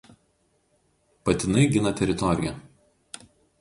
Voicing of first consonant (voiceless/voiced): voiceless